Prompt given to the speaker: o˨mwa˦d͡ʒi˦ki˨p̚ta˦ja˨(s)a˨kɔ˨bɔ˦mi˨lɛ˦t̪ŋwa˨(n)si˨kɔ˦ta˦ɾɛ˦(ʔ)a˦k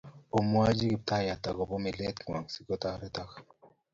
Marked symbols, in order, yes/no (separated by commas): no, no, no